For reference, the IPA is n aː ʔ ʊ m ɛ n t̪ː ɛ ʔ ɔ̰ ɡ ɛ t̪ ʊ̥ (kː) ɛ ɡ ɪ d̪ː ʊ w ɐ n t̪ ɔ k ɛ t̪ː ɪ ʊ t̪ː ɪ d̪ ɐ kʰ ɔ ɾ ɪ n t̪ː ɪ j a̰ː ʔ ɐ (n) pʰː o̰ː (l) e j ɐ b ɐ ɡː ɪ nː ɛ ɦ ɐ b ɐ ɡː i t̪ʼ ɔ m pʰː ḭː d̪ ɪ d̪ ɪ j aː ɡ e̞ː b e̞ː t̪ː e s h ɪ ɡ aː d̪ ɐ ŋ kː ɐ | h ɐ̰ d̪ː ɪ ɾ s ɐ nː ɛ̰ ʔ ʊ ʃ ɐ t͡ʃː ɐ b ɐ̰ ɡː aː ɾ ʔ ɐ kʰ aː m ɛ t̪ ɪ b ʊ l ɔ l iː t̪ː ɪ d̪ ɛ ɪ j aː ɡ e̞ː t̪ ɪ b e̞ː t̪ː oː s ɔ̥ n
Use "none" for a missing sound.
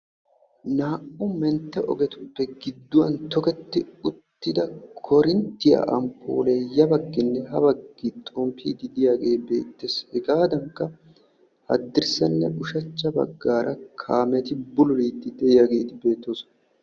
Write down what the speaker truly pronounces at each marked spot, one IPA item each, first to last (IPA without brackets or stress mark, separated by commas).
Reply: pː, m, l